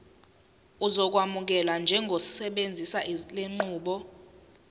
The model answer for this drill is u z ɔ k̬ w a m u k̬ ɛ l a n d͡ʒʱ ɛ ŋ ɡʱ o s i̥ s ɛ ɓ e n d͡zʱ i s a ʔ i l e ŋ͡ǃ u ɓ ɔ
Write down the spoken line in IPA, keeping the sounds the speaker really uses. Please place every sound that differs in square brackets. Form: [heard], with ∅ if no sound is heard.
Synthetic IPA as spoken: u z ɔ k̬ w a m u k̬ ɛ l a n d͡ʒʱ ɛ ŋ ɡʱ o s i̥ s ɛ ɓ e n d͡zʱ i s a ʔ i l e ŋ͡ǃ [uː] ɓ ɔ